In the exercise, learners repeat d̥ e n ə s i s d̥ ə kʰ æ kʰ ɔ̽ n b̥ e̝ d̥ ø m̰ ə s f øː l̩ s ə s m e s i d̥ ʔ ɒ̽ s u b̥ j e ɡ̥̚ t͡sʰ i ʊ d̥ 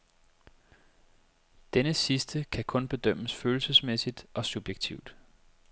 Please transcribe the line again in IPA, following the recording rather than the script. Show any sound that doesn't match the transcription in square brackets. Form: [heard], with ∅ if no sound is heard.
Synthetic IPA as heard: d̥ e n ə s i s d̥ ə kʰ æ kʰ ɔ̽ n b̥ e̝ d̥ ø m̰ ə s f øː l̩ s ə s m e s i d̥ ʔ ɒ̽ s u b̥ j e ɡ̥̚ t͡sʰ i ʊ d̥